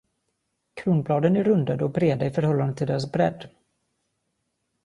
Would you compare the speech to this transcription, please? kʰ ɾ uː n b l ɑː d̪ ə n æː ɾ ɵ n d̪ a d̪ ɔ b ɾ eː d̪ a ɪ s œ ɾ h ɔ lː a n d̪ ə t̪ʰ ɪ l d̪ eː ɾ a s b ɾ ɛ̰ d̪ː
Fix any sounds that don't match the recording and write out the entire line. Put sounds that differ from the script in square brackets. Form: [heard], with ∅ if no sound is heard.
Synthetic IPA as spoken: kʰ ɾ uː n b l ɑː d̪ ə n [æ] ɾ ɵ n d̪ a d̪ ɔ b ɾ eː d̪ a ɪ [f] œ ɾ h ɔ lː a n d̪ ə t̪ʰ ɪ l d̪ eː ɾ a s b ɾ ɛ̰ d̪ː